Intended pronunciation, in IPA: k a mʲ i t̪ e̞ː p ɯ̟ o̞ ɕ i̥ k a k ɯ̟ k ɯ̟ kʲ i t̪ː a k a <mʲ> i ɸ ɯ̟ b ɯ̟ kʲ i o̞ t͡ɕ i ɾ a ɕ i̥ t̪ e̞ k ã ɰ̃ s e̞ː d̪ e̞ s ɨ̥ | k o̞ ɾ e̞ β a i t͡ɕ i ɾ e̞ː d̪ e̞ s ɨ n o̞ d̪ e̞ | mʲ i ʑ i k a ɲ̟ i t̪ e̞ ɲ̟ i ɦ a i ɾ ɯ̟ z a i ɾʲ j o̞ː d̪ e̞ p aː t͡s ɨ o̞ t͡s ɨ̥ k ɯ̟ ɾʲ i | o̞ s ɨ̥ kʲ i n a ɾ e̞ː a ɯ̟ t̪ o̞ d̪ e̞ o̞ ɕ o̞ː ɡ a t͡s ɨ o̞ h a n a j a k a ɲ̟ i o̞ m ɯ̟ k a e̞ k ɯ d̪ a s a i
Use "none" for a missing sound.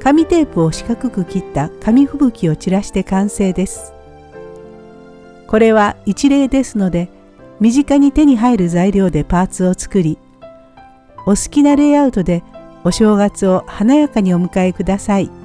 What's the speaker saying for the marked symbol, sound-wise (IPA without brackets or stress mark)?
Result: mʲ